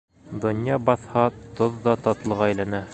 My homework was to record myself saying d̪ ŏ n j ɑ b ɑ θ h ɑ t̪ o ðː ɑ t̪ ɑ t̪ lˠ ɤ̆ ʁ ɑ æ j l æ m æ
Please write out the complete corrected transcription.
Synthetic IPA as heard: d̪ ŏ n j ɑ b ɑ θ h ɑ t̪ o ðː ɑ t̪ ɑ t̪ lˠ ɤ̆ ʁ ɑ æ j l æ n æ